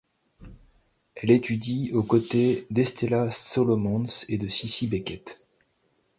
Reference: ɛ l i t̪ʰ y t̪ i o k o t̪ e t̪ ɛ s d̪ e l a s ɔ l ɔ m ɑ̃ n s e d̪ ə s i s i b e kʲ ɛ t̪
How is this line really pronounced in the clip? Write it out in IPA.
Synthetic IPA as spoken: ɛ l e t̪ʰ y d̪ i o k o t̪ e d̪ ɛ s t̪ e l a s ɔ l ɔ m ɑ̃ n s e d̪ ə s i s i b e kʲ ɛ t̪